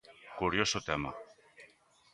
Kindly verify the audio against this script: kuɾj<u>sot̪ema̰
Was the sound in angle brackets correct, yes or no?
no